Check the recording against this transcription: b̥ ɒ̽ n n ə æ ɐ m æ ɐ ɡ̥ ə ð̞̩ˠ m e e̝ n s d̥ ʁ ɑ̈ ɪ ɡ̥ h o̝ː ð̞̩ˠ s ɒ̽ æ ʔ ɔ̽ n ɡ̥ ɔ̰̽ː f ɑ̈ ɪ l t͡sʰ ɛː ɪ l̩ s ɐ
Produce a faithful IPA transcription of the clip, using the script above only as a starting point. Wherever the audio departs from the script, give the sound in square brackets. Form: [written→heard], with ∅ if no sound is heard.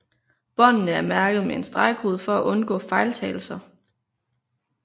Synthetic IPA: b̥ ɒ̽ n n ə æ ɐ m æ ɐ ɡ̥ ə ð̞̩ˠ m e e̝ n s d̥ ʁ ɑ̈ ɪ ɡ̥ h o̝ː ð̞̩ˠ [s→f] ɒ̽ æ ʔ ɔ̽ n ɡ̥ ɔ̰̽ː f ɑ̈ ɪ l t͡sʰ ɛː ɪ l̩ s ɐ